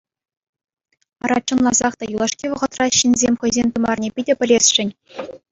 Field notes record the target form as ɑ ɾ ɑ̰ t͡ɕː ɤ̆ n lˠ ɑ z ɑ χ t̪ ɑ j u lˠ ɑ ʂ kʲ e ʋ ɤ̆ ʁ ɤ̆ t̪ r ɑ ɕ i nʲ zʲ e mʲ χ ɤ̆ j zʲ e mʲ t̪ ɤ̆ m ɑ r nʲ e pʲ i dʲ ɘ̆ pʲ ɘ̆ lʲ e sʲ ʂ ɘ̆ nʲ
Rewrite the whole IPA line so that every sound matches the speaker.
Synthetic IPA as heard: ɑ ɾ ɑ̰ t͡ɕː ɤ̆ n lˠ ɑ z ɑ χ t̪ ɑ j u lˠ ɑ ʂ kʲ i ʋ ɤ̆ ʁ ɤ̆ t̪ r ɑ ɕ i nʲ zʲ e mʲ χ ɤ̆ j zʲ e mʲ t̪ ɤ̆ m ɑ r nʲ e pʲ i dʲ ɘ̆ pʲ ɘ̆ lʲ e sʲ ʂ ɘ̆ nʲ